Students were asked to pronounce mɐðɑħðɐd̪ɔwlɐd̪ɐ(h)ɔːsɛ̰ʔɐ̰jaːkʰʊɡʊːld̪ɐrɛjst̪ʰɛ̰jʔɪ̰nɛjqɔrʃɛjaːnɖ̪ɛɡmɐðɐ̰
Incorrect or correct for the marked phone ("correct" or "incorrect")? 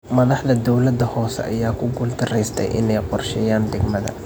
correct